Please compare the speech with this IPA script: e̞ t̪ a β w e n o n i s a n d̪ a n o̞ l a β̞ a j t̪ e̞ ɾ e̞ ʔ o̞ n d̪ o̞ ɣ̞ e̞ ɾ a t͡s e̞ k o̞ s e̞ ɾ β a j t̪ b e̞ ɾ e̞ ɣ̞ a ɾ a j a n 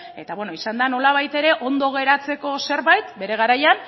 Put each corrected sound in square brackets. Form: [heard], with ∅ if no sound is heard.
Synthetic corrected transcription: e̞ t̪ a β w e n o [∅] i s a n d̪ a n o̞ l a β̞ a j t̪ e̞ ɾ e̞ ʔ o̞ n d̪ o̞ ɣ̞ e̞ ɾ a t͡s e̞ k o̞ s e̞ ɾ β a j t̪ b e̞ ɾ e̞ ɣ̞ a ɾ a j a n